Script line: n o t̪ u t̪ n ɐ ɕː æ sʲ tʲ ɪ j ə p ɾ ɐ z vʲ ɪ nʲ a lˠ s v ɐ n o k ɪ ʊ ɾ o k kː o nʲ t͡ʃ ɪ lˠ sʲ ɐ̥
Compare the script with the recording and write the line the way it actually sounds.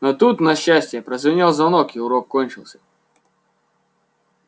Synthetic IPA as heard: n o t̪ u t̪ n ɐ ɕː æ sʲ tʲ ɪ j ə p ɾ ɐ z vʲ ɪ nʲ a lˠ z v ɐ n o k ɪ ʊ ɾ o k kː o nʲ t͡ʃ ɪ lˠ sʲ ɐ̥